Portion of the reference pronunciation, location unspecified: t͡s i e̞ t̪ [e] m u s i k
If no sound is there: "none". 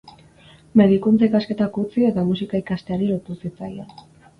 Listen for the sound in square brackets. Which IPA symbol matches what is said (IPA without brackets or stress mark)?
a